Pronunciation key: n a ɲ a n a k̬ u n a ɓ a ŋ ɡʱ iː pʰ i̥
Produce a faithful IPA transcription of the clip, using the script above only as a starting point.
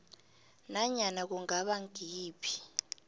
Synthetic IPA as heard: n a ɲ a n a k̬ u ŋ a ɓ a ŋ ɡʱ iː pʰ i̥